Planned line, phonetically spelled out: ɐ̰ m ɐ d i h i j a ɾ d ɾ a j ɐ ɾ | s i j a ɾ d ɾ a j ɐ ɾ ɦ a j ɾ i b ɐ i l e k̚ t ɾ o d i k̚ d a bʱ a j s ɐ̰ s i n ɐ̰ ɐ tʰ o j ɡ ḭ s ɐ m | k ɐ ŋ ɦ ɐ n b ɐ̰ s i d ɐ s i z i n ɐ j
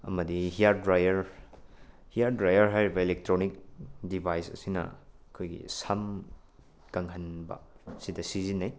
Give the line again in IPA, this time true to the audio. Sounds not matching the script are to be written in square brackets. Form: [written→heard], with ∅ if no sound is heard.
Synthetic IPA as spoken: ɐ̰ m ɐ d i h i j a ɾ d ɾ a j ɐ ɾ | [s→h] i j a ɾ d ɾ a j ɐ ɾ ɦ a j ɾ i b ɐ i l e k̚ t ɾ o [d→n] i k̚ d [a→i] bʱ a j s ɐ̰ s i n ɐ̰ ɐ [tʰ→kʰ] o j ɡ ḭ s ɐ m | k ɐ ŋ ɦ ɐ n b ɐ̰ s i d ɐ s i z i n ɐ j